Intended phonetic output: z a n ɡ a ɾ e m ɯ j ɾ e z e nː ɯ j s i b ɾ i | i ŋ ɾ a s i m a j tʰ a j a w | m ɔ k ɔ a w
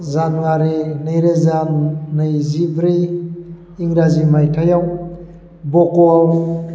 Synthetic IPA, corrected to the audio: z a n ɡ a ɾ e n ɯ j ɾ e z a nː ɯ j z i b ɾ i | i ŋ ɾ a z i m a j tʰ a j a w | b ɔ k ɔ a w